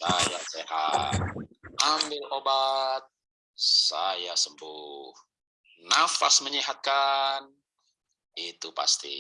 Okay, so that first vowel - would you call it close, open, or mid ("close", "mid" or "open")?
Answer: open